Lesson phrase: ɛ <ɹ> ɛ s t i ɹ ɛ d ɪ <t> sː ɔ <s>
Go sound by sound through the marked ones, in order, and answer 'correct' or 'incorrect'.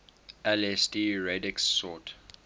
incorrect, incorrect, incorrect

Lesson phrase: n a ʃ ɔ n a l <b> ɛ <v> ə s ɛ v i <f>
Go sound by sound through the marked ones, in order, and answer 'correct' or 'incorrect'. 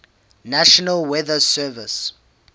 incorrect, incorrect, incorrect

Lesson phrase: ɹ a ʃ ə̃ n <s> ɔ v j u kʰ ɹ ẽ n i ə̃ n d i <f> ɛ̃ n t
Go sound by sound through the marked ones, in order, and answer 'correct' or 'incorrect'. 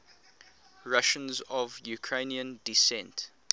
incorrect, incorrect

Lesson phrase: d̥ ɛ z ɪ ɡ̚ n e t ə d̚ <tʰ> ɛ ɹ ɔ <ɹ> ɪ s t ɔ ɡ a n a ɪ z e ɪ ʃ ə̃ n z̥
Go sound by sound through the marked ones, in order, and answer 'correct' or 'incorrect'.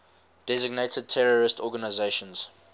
correct, correct

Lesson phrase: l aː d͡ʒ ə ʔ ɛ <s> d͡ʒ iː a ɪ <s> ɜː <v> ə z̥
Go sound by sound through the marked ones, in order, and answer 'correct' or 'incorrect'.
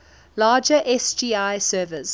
correct, correct, correct

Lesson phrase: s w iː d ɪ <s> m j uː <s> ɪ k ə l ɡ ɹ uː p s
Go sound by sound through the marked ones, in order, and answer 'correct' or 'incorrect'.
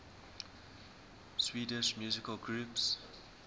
incorrect, incorrect

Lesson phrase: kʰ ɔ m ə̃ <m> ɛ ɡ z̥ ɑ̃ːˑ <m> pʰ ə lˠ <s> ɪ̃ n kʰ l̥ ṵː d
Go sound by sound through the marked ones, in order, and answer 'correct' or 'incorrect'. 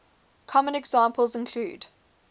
incorrect, correct, incorrect

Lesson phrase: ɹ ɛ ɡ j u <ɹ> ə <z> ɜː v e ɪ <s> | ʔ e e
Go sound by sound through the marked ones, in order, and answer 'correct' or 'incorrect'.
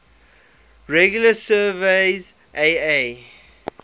incorrect, incorrect, incorrect

